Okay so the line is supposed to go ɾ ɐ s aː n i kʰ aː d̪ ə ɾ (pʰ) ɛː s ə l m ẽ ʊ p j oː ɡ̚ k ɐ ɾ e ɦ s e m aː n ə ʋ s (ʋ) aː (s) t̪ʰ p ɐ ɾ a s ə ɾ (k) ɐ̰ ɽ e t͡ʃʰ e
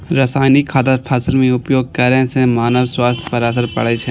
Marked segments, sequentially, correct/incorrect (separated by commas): correct, incorrect, correct, incorrect